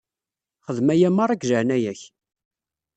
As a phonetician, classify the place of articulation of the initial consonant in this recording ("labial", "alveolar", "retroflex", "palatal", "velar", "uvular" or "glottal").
uvular